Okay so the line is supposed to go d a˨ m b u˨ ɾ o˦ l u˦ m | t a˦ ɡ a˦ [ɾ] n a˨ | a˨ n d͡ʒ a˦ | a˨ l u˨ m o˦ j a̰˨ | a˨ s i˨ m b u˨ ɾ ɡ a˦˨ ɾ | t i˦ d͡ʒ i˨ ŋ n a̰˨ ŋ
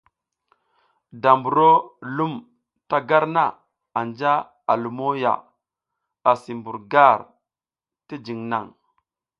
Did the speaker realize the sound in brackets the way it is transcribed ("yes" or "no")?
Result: yes